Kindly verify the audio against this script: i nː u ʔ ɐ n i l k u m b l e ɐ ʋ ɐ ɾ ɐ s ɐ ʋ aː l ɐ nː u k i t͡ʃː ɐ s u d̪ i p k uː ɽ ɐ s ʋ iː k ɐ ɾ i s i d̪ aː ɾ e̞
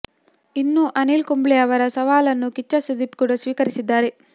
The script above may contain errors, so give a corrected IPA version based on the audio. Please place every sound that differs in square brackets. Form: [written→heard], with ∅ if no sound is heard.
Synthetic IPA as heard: i nː u ʔ ɐ n i l k u m b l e ɐ ʋ ɐ ɾ ɐ s ɐ ʋ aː l ɐ nː u k i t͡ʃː ɐ s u d̪ i p k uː ɽ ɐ s ʋ iː k ɐ ɾ i s i [d̪→d̪ː] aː ɾ e̞